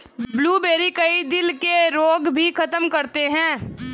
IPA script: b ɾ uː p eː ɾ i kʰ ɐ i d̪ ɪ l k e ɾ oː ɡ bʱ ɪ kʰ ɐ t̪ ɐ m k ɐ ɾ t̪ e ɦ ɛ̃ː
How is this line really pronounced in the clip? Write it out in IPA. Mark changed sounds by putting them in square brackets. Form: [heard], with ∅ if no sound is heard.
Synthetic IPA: b [l] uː [b] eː ɾ i [k] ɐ i d̪ ɪ l k e ɾ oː ɡ bʱ [i] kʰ ɐ t̪ [ə] m k ɐ ɾ t̪ e ɦ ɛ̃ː